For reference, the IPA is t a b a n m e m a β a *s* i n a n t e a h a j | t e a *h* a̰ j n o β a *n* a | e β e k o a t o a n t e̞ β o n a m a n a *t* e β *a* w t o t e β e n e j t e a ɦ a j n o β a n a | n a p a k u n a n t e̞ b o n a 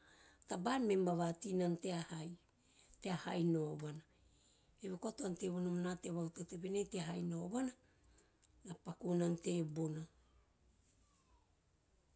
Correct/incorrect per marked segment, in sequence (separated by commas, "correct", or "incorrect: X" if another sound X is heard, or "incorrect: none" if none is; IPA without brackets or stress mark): incorrect: t, correct, correct, correct, correct